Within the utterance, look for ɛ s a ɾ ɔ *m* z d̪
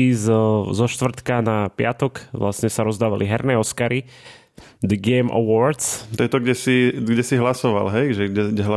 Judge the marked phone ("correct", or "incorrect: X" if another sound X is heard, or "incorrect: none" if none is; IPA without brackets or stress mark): incorrect: none